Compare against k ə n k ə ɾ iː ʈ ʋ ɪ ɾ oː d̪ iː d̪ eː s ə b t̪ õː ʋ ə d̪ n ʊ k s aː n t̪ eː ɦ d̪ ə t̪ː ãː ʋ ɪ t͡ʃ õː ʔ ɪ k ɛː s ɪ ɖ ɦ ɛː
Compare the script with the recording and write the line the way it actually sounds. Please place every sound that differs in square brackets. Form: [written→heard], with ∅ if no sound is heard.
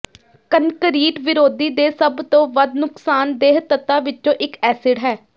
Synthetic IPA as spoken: k ə n k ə ɾ iː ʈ ʋ ɪ ɾ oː d̪ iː d̪ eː s ə b t̪ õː ʋ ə d̪ n ʊ k s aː n [t̪→d̪] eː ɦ [d̪→t̪] ə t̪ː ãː ʋ ɪ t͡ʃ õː ʔ ɪ k ɛː s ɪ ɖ ɦ ɛː